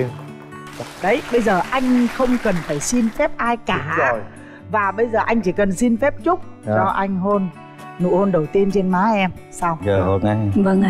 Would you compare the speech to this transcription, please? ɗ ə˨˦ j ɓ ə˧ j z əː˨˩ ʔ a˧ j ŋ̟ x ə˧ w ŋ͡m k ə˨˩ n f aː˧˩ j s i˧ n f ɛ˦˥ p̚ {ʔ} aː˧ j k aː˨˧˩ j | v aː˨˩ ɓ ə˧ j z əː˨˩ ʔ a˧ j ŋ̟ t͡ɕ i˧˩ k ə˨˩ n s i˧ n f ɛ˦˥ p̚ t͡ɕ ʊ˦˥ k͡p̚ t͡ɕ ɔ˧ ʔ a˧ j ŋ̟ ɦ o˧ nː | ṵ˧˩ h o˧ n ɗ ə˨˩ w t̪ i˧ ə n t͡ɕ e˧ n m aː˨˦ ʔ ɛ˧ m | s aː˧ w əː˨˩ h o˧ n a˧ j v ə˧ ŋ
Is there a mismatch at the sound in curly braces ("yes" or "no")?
no